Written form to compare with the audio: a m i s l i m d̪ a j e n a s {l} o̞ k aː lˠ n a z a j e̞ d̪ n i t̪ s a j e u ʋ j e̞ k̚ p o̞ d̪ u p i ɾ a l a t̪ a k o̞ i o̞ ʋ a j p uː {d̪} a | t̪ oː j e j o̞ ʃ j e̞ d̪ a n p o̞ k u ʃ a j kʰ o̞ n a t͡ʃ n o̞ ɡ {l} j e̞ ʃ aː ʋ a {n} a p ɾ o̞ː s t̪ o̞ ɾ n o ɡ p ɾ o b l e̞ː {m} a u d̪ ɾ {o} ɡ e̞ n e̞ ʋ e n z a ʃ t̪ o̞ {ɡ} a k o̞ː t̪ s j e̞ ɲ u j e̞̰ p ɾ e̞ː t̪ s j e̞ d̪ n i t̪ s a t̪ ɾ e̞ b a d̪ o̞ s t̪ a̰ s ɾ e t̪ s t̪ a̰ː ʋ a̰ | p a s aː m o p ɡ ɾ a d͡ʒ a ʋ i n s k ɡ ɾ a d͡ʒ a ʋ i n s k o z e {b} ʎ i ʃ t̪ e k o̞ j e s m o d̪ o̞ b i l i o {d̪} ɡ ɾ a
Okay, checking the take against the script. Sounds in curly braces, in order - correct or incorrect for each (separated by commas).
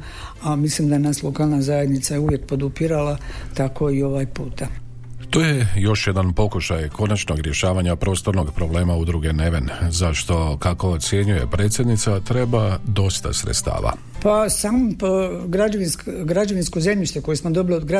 correct, incorrect, incorrect, incorrect, correct, incorrect, incorrect, incorrect, correct